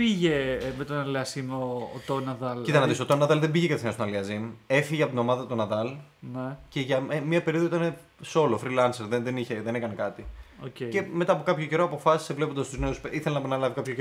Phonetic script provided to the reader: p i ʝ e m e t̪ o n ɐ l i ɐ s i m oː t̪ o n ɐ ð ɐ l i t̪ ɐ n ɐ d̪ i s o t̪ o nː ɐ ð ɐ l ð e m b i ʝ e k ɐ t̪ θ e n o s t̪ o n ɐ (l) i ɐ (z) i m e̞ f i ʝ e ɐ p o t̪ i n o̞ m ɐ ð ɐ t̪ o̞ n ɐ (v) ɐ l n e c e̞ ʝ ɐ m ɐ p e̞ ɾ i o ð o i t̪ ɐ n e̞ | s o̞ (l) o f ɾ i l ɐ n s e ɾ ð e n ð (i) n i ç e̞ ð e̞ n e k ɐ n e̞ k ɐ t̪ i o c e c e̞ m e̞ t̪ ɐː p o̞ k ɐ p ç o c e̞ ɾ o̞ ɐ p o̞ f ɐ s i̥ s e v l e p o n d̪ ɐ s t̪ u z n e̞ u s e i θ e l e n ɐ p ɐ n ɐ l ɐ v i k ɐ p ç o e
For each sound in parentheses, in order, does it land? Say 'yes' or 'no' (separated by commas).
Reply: yes, yes, no, yes, no